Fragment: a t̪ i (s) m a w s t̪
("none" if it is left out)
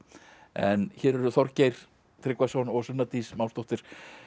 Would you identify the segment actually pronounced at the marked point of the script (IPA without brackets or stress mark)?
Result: s